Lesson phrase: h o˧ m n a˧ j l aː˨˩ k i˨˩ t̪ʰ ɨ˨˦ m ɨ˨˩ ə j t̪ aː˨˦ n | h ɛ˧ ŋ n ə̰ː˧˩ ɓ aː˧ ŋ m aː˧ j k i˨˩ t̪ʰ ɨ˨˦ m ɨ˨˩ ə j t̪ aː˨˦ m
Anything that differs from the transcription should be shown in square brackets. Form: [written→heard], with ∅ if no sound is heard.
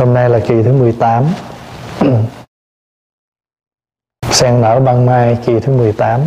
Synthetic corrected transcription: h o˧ m n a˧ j l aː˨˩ k i˨˩ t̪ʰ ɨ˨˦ m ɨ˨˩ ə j t̪ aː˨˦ [n→m] | [h→s] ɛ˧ ŋ n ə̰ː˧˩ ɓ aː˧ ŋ m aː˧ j k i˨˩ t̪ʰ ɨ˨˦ m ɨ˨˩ ə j t̪ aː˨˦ m